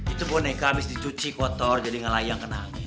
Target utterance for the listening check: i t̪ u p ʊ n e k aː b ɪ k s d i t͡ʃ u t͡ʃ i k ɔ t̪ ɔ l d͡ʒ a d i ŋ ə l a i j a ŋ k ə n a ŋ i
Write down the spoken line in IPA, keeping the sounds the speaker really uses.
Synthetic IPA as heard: i t̪ u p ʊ n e k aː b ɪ s d i t͡ʃ u t͡ʃ i k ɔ t̪ ɔ r d͡ʒ a d i ŋ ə l a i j a ŋ k ə n a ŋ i